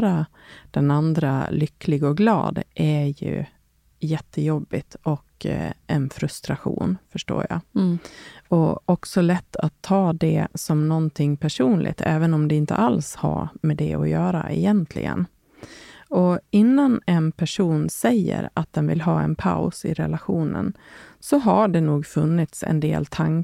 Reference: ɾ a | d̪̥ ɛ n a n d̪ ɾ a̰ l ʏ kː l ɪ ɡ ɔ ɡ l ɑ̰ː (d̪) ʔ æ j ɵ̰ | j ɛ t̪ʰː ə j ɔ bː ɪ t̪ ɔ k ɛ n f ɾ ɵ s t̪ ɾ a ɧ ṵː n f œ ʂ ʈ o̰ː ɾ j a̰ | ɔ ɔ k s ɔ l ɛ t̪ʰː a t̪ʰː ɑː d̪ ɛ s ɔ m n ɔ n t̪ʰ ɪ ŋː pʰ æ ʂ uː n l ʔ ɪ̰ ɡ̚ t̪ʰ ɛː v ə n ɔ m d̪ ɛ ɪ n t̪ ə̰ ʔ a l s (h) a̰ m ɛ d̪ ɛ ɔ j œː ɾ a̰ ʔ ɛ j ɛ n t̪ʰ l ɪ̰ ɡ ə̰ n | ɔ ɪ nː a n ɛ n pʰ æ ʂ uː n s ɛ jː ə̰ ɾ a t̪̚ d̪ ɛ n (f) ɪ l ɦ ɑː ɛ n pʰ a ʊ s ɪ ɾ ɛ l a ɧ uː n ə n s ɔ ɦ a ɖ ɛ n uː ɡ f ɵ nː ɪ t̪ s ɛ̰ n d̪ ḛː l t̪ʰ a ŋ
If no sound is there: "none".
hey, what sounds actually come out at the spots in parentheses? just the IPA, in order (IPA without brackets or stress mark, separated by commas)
d̪, h, v